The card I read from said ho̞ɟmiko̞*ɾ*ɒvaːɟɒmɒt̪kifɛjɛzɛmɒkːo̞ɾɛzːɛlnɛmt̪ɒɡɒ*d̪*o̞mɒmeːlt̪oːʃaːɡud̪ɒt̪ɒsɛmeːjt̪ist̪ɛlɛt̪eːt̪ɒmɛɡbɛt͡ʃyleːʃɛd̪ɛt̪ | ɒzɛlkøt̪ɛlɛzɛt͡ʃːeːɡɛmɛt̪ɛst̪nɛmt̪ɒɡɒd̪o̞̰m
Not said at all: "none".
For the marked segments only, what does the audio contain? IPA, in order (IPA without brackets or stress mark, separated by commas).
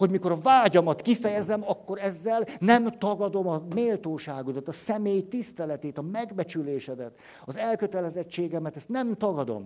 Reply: ɾ, d̪